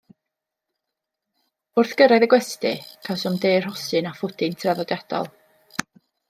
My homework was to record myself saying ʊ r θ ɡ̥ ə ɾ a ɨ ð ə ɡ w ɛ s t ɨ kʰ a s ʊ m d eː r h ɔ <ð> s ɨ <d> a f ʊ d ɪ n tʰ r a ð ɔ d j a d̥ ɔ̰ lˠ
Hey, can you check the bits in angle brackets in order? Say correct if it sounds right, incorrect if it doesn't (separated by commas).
incorrect, incorrect